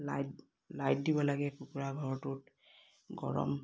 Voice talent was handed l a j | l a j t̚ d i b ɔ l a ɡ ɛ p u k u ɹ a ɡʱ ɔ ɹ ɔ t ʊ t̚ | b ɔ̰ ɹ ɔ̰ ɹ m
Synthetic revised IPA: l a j | l a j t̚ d i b ɔ l a ɡ ɛ p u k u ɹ a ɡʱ ɔ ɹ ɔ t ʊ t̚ | ɡ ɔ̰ ɹ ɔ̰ m